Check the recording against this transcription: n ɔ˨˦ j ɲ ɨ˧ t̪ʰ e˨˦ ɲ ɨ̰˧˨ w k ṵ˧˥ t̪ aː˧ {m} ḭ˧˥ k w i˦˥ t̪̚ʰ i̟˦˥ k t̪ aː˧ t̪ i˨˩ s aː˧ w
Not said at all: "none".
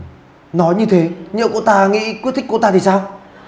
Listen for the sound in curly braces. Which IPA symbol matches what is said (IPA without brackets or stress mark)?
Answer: ŋ